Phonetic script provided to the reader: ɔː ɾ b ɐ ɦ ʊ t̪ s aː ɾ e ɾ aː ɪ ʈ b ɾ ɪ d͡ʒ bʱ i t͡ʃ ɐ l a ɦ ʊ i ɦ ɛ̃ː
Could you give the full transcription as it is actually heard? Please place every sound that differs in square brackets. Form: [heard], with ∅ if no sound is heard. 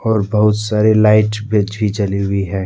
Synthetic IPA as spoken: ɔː ɾ b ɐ ɦ ʊ t̪ s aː ɾ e [l] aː ɪ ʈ b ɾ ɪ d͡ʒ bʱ i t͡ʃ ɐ l [i] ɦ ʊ i ɦ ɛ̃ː